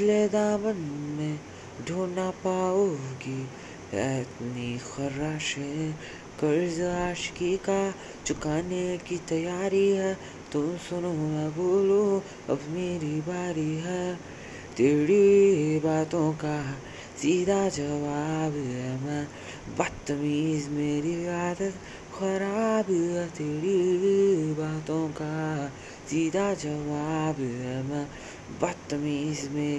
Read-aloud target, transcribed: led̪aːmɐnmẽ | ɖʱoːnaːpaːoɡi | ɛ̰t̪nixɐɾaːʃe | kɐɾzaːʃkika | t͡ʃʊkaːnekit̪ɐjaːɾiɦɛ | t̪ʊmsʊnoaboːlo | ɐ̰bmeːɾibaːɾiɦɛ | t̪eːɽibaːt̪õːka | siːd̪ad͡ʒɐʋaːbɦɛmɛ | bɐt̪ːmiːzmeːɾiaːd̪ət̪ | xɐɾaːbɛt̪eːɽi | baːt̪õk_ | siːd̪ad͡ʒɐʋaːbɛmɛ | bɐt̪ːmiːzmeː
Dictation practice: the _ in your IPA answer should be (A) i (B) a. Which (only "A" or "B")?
B